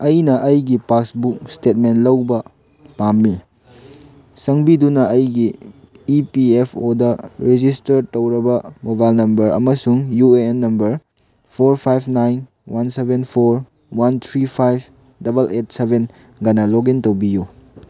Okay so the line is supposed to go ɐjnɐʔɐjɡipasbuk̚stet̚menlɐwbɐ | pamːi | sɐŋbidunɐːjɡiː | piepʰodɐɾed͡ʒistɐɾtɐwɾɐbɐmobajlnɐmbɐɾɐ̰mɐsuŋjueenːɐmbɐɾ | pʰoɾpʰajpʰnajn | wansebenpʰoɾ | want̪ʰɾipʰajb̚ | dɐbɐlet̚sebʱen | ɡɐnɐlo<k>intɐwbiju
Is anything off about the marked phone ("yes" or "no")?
yes